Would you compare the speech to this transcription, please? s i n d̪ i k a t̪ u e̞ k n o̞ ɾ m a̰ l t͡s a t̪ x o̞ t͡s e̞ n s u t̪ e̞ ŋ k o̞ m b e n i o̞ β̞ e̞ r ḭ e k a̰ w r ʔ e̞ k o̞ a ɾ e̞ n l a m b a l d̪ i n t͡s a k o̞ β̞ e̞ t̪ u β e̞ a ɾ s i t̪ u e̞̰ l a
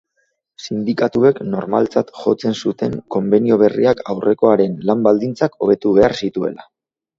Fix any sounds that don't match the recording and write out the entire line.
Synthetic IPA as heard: s i n d̪ i k a t̪ u e̞ k n o̞ ɾ m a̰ l t͡s a t̪ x o̞ t͡s e̞ n s u t̪ e̞ ŋ k o̞ m b e n i o̞ β̞ e̞ r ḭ a k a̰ w r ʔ e̞ k o̞ a ɾ e̞ n l a m b a l d̪ i n t͡s a k o̞ β̞ e̞ t̪ u β e̞ a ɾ s i t̪ u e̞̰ l a